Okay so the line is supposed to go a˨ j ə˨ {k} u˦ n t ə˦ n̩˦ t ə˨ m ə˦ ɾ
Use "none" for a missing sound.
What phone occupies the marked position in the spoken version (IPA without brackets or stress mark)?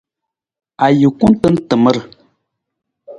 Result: k